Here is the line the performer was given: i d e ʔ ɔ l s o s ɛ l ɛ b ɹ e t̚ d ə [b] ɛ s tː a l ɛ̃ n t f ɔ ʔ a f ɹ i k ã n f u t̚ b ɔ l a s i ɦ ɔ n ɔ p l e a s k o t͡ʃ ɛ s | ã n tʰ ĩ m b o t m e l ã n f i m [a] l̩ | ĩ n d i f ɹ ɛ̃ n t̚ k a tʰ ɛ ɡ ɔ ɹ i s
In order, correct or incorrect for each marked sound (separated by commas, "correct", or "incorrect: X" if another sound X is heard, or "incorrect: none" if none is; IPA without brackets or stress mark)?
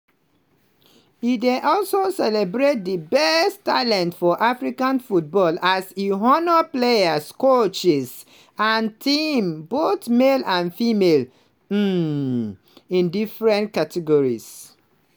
correct, incorrect: e